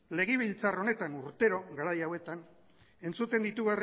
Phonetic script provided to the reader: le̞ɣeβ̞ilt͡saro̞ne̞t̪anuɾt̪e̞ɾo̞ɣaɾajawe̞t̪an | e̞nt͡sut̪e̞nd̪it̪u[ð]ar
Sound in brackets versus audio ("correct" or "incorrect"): incorrect